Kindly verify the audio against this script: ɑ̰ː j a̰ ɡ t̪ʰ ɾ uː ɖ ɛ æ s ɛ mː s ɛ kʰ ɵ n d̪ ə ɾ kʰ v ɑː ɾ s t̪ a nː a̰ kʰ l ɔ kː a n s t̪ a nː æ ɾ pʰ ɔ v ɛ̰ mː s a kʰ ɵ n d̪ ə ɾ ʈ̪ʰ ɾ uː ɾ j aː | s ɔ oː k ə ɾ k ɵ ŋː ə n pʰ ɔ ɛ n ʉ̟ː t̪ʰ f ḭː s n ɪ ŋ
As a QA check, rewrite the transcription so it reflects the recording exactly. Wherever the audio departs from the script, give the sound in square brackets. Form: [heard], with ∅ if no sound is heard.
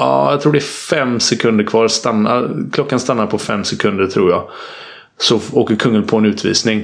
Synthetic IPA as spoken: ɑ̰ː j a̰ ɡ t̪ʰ ɾ uː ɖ ɛ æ [f] ɛ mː s ɛ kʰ ɵ n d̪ ə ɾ kʰ v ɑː ɾ s t̪ a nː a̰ kʰ l ɔ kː a n s t̪ a nː [a] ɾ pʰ ɔ [f] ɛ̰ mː s [ɛ] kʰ ɵ n d̪ ə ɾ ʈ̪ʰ ɾ uː ɾ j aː | s ɔ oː k ə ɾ [kʰ] ɵ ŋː ə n pʰ ɔ ɛ n ʉ̟ː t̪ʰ [v] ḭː s n ɪ ŋ